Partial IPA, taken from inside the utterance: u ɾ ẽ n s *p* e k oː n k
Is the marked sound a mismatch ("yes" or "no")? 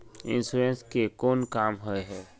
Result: yes